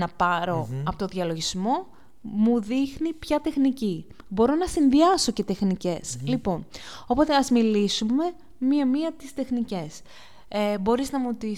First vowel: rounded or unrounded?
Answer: unrounded